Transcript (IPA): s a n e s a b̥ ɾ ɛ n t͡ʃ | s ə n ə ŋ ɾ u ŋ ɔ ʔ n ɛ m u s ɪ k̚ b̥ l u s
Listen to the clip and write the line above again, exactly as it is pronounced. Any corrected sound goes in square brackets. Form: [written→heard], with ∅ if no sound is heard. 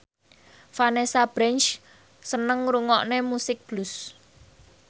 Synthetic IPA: [s→f] a n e s a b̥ ɾ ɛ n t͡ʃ | s ə n ə ŋ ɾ u ŋ ɔ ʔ n [ɛ→e] m u s ɪ k̚ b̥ l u s